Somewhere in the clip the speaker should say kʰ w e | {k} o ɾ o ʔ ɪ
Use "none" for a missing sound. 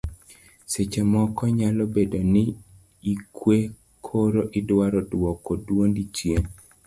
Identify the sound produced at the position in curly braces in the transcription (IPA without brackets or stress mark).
kʰ